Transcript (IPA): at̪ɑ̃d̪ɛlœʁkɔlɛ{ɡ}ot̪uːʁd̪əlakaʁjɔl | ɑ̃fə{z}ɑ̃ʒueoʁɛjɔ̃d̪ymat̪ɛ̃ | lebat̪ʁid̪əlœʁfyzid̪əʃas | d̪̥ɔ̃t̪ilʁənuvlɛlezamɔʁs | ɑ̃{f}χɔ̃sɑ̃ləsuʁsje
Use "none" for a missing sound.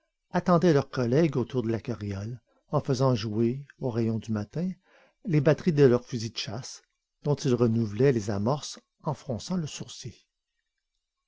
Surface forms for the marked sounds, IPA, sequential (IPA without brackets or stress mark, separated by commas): ɡ, z, f